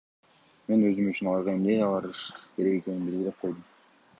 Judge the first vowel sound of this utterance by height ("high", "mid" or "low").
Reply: mid